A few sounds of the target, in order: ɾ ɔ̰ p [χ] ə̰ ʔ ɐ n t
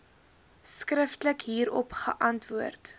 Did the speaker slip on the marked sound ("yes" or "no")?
no